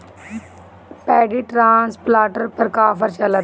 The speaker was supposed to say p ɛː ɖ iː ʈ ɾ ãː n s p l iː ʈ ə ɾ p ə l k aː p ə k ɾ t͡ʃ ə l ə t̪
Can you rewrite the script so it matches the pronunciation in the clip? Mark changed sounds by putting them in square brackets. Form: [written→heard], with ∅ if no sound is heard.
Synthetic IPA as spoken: p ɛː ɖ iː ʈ ɾ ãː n s p l [iː→aː] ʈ ə ɾ p ə [l→ɾ] k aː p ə [k→∅] ɾ t͡ʃ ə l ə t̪